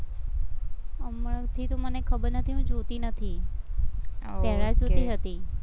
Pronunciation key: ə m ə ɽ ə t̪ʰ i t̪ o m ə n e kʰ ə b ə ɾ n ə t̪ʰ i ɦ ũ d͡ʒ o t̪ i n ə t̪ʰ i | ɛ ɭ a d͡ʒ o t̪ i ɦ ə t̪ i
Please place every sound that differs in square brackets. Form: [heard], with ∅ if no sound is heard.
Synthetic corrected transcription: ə m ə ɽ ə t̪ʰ i t̪ o m ə n e kʰ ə b ə ɾ n ə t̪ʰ i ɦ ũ d͡ʒ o t̪ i n ə t̪ʰ i | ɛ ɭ a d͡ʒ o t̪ i ɦ ə t̪ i